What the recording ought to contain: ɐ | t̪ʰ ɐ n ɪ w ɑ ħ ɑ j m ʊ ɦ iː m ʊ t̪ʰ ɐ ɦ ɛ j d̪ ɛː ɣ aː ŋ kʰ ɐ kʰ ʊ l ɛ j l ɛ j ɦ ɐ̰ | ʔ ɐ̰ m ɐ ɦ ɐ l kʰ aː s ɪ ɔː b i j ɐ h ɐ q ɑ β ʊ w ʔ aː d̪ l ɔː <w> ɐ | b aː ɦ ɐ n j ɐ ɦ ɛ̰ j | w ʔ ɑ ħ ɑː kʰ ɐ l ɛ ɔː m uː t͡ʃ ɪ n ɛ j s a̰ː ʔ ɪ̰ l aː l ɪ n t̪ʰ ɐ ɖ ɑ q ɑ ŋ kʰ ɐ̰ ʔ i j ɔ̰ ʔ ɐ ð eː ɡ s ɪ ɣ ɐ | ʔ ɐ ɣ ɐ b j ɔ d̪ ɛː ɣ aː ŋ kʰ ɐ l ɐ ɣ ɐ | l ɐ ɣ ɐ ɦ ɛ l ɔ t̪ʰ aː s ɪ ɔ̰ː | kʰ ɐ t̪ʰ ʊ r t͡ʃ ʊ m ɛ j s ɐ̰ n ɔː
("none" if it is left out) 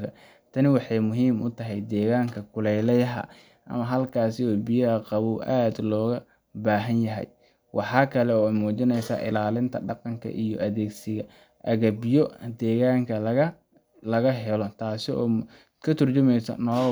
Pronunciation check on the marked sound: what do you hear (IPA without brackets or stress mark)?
ɣ